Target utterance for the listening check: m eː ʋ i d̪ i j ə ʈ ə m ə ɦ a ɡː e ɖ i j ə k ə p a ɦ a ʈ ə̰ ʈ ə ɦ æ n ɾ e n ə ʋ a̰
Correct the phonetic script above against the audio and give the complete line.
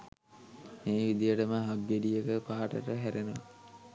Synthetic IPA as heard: m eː ʋ i d̪ i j ə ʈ ə m ə ɦ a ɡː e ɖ i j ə k ə p a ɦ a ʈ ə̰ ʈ ə ɦ æ ɾ e n ə ʋ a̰